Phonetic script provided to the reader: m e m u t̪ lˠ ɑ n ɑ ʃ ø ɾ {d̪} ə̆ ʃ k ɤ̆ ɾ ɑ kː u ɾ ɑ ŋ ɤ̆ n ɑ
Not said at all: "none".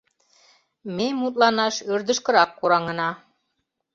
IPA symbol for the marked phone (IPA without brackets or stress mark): d̪